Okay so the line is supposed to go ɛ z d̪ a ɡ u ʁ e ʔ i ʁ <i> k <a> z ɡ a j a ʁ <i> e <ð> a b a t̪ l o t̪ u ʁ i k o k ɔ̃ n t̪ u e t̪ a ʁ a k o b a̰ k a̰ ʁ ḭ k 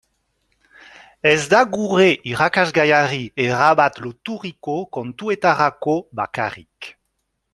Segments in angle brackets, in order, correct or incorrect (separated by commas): incorrect, correct, correct, incorrect